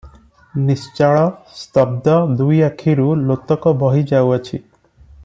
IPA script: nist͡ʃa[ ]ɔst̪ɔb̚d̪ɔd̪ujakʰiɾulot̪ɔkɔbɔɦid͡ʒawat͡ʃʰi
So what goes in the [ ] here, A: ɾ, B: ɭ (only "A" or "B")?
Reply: B